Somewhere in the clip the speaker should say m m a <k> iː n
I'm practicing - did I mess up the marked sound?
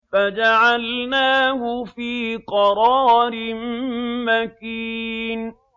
no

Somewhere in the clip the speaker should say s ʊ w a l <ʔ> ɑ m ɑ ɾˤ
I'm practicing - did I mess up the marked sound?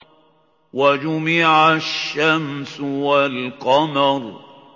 yes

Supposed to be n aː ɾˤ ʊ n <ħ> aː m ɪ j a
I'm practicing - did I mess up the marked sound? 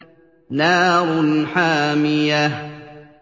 no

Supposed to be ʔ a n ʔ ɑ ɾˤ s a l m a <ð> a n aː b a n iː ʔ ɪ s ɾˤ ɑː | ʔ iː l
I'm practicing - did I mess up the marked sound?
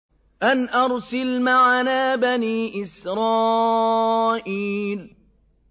yes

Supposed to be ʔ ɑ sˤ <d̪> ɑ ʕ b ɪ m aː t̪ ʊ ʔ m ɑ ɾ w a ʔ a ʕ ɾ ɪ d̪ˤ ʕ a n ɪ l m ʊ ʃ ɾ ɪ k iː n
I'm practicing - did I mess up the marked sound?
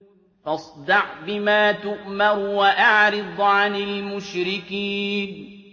no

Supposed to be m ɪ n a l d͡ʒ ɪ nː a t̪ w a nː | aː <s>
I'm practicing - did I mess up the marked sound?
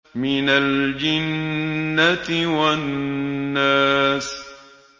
no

